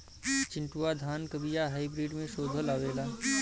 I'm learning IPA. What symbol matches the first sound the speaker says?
t͡ʃ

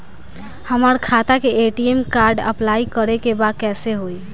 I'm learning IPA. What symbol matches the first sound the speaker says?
h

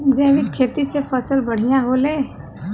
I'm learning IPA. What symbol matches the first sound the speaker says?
d͡ʒ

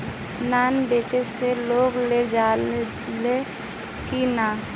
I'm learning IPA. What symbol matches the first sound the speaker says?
n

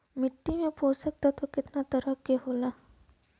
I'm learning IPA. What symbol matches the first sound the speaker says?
m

